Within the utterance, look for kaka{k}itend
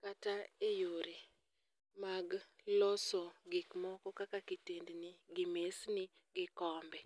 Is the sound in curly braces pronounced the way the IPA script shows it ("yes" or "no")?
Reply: yes